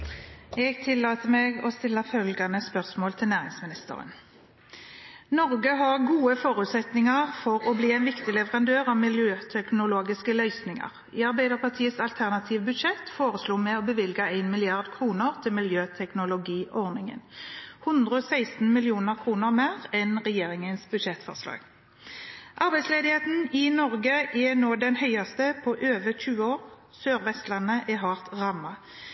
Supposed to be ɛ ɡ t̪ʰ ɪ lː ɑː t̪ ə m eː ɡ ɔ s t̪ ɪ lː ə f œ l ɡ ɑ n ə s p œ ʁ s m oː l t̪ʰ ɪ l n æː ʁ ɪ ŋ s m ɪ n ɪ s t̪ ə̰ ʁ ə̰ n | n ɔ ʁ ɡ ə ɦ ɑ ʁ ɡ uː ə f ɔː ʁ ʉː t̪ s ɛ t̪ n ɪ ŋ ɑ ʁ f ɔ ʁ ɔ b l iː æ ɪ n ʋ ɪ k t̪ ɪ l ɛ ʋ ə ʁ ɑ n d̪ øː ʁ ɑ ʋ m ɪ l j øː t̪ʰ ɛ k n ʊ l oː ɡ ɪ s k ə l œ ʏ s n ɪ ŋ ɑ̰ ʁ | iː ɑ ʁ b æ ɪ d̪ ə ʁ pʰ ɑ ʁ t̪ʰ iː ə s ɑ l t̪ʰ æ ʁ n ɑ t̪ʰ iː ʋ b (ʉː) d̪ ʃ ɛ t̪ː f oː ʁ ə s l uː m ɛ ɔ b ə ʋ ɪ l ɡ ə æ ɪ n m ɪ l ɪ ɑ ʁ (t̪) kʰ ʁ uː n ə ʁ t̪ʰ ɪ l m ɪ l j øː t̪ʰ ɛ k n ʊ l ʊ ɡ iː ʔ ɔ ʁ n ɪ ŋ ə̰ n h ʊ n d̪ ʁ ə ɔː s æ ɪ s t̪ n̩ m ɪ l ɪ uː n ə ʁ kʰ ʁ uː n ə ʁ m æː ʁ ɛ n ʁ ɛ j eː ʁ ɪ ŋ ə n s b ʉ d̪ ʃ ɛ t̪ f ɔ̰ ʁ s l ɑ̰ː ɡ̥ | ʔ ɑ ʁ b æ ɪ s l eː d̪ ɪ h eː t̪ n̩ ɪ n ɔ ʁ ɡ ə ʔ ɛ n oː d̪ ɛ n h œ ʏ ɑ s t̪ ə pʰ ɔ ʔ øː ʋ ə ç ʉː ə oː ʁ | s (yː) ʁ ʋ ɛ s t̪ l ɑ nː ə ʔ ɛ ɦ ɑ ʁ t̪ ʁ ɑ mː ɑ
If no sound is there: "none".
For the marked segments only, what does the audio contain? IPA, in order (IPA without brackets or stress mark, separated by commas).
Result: ʉ, d̪, øː